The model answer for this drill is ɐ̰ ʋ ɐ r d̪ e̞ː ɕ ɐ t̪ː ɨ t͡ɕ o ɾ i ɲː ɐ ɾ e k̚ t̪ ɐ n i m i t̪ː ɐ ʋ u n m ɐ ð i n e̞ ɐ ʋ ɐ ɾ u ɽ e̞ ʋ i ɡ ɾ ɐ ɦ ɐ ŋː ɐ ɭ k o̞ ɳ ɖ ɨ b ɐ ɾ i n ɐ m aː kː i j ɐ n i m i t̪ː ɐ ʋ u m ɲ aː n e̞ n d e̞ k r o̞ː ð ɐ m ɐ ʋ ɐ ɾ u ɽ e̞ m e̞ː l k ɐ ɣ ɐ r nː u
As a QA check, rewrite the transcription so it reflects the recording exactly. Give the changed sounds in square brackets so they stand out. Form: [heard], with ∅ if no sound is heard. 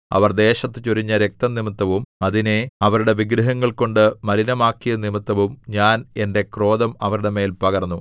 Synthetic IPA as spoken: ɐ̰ ʋ ɐ r d̪ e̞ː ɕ ɐ t̪ː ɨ t͡ɕ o ɾ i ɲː ɐ ɾ e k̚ t̪ ɐ n i m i t̪ː ɐ ʋ u [∅] m ɐ ð i n e̞ ɐ ʋ ɐ ɾ u ɽ e̞ ʋ i ɡ ɾ ɐ ɦ ɐ ŋː ɐ ɭ k o̞ ɳ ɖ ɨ [m] ɐ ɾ i n ɐ m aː kː i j ɐ n i m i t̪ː ɐ ʋ u m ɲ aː n e̞ n d e̞ k r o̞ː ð ɐ m ɐ ʋ ɐ ɾ u ɽ e̞ m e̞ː l [p] ɐ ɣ ɐ r nː u